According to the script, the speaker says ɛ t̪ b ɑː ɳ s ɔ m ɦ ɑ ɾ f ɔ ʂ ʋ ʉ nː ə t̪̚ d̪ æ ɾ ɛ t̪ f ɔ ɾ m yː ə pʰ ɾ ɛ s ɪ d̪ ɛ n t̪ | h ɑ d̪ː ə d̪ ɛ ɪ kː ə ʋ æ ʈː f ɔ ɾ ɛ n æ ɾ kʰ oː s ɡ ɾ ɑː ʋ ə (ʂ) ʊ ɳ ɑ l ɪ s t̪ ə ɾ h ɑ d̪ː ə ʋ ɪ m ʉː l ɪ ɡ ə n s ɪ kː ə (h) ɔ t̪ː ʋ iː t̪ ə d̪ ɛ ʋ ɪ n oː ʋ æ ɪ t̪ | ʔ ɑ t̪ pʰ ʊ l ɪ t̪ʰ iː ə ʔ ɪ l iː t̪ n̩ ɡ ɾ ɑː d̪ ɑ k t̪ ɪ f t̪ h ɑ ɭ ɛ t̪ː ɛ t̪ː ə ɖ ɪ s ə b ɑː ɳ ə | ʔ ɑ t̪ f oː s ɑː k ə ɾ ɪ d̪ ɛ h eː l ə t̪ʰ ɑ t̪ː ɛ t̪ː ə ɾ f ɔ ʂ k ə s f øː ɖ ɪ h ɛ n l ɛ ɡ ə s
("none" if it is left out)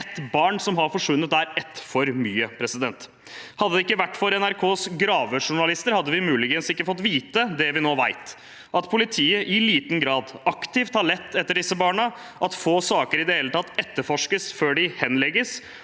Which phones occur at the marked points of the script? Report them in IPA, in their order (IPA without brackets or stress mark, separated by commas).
ʂ, f